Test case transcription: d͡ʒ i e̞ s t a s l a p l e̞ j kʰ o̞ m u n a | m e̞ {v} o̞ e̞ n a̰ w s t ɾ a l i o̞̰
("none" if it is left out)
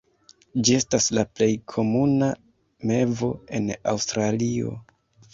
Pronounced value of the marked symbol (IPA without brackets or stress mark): v